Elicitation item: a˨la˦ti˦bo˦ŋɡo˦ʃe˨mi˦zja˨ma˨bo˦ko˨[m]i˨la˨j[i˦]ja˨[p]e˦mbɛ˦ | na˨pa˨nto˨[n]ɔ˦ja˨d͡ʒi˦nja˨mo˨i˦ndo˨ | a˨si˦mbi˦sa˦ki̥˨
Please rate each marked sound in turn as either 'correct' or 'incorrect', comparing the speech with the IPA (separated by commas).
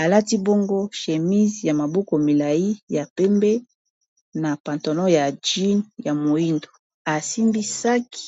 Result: correct, correct, correct, correct